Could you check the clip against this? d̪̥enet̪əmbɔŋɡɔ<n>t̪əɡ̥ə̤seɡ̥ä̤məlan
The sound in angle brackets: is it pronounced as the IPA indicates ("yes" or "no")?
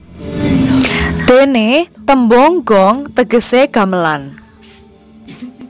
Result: no